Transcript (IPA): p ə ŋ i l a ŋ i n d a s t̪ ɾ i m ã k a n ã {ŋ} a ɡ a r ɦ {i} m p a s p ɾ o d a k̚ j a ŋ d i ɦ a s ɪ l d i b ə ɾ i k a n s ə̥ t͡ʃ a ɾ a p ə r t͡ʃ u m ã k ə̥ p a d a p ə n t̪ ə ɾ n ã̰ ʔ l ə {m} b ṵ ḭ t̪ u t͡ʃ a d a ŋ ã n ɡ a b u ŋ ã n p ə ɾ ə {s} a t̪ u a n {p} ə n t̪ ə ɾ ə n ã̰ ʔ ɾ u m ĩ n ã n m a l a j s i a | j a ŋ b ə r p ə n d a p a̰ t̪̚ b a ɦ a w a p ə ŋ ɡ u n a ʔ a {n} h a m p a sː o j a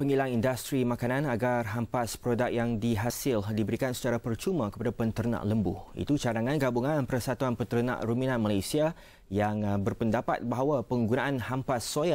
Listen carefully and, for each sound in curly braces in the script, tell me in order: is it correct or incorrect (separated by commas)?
incorrect, incorrect, correct, correct, correct, correct